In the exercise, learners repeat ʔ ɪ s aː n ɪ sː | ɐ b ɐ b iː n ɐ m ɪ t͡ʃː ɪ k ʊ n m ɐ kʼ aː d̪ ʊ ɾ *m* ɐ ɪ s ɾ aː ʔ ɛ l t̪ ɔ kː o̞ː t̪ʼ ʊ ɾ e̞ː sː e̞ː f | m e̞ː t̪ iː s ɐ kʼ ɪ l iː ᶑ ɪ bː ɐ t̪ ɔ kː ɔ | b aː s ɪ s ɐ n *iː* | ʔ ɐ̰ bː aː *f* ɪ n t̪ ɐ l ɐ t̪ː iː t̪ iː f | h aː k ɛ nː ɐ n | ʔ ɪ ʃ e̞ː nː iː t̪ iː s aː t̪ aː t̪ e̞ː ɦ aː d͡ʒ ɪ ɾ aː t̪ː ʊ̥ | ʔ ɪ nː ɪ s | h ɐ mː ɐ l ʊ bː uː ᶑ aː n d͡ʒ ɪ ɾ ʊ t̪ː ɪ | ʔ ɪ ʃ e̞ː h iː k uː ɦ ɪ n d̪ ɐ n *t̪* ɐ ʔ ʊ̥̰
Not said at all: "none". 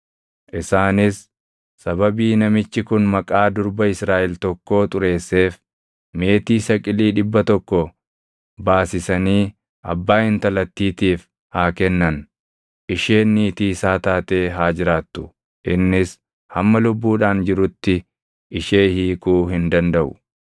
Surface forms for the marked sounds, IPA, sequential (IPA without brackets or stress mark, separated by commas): b, iː, h, d̪